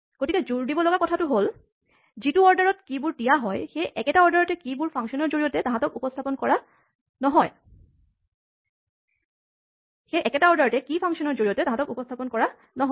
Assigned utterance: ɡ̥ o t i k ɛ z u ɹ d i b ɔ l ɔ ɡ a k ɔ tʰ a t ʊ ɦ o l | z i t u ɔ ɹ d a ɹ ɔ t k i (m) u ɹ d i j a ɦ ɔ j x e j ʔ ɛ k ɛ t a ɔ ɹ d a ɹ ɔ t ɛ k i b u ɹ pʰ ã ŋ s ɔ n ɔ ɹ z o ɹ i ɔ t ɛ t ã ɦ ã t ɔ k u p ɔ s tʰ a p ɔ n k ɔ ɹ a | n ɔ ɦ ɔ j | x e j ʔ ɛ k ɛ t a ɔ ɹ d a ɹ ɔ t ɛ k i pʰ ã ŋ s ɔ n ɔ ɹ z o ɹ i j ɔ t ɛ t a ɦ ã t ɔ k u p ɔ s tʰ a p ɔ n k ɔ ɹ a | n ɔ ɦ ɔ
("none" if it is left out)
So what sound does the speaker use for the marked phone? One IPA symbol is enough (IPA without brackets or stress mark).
b